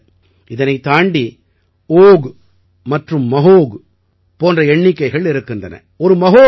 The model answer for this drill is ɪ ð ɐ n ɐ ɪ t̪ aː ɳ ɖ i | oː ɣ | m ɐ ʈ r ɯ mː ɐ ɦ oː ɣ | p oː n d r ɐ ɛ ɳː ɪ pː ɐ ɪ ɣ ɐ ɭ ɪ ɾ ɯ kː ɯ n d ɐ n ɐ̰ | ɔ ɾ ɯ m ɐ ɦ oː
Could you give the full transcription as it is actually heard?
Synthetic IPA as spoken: ɪ ð ɐ n ɐ ɪ t̪ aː ɳ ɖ i | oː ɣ | m ɐ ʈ r ɯ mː ɐ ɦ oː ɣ | p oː n d r ɐ ɛ ɳː ɪ kː ɐ ɪ ɣ ɐ ɭ ɪ ɾ ɯ kː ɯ n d ɐ n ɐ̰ | ɔ ɾ ɯ m ɐ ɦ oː